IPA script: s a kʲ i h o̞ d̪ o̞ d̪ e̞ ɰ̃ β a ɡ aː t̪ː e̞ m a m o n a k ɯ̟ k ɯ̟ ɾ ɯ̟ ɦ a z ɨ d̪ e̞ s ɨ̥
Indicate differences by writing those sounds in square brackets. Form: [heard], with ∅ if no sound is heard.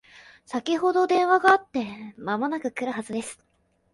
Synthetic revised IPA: s a kʲ i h o̞ d̪ o̞ d̪ [ẽ̞] ɰ̃ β a ɡ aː t̪ː e̞ m a m o n a k ɯ̟ k ɯ̟ ɾ ɯ̟ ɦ a z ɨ d̪ e̞ s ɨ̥